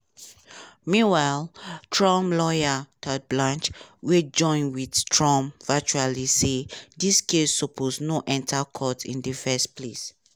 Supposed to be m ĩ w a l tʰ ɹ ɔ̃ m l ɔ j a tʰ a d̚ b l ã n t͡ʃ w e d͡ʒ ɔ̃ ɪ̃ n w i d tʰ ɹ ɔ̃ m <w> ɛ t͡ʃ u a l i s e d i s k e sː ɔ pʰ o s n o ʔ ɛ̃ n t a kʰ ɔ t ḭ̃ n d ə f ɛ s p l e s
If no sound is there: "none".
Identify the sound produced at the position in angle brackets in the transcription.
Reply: v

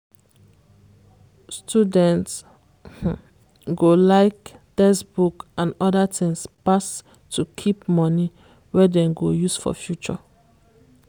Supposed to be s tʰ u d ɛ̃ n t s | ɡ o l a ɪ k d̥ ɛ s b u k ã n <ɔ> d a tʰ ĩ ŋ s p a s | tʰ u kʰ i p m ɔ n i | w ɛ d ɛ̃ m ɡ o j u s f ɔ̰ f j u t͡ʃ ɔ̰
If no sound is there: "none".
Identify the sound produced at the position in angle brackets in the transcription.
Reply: ɔ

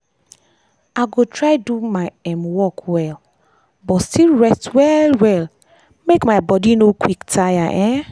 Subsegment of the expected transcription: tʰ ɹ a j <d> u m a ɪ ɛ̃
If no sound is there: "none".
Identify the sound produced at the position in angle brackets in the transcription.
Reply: d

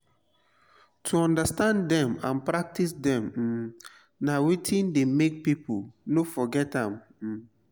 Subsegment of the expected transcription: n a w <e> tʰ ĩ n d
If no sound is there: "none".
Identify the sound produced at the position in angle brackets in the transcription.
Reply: i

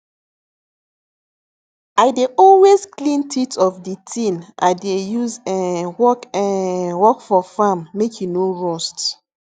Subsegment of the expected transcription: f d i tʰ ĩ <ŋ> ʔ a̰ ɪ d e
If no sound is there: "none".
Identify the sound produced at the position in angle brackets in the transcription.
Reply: n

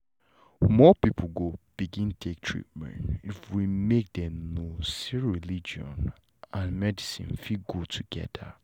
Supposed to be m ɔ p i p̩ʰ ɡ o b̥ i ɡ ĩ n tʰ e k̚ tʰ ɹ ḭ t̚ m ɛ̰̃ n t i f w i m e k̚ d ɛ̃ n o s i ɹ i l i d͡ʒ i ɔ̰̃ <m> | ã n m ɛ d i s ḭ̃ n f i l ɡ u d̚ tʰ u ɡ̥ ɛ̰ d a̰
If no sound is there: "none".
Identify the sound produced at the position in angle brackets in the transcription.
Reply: n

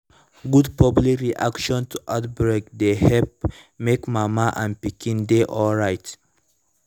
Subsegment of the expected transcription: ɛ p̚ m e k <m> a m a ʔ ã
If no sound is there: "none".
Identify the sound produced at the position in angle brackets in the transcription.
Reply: m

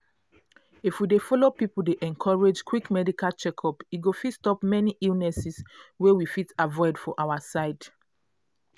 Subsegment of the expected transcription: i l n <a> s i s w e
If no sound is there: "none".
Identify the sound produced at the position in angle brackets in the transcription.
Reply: ɛ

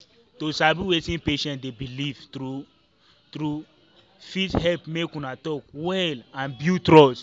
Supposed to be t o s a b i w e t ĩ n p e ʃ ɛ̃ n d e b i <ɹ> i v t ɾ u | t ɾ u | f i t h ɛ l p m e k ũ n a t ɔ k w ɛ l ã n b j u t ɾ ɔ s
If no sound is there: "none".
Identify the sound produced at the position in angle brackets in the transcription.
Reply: l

